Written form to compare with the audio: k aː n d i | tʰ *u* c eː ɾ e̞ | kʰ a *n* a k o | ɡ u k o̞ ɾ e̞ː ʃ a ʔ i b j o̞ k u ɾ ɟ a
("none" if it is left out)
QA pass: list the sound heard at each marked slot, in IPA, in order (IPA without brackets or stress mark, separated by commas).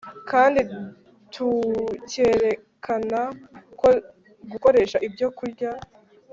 u, n